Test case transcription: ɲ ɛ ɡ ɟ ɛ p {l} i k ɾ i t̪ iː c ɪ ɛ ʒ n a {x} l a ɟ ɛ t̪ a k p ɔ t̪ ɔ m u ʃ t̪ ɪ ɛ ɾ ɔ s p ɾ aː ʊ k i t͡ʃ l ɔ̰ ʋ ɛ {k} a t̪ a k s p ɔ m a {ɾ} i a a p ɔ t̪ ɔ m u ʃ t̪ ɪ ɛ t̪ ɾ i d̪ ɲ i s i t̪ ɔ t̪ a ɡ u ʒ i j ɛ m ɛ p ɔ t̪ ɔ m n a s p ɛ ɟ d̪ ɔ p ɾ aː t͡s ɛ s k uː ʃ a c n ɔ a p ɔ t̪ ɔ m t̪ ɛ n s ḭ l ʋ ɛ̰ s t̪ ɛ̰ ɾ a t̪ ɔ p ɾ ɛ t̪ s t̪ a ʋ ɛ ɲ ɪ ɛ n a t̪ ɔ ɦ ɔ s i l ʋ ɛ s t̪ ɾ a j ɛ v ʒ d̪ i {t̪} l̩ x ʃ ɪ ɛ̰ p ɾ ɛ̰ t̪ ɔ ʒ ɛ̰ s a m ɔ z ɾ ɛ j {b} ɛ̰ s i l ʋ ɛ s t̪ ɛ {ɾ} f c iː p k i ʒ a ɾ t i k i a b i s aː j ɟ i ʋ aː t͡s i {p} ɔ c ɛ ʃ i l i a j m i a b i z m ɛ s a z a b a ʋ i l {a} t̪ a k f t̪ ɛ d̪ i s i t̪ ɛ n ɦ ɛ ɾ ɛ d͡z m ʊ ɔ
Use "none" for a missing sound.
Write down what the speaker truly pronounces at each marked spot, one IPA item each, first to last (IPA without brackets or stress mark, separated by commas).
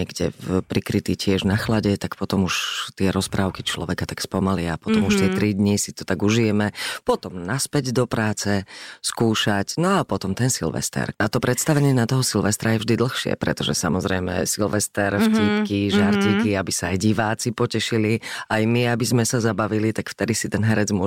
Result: ɾ, x, k, l, d̪, m, ɾ, p, i